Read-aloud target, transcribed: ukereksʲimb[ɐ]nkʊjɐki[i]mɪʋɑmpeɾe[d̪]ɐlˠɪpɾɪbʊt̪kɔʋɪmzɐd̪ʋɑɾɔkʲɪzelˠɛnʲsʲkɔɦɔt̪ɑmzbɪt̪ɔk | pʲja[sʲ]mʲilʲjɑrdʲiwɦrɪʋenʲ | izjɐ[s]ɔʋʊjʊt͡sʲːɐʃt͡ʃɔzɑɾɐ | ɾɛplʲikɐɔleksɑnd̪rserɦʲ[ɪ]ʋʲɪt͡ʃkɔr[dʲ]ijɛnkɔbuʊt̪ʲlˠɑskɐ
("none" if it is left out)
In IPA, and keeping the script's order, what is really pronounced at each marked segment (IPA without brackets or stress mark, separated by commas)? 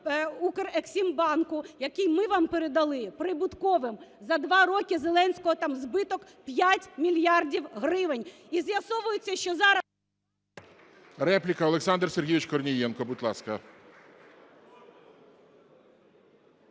ɑ, j, d̪, tʲ, s, i, nʲ